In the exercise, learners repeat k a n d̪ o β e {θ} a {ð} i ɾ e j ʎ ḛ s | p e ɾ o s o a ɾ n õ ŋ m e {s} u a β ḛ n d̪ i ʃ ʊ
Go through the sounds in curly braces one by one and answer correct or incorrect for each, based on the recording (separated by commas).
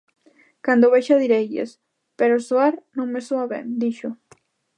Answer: incorrect, correct, correct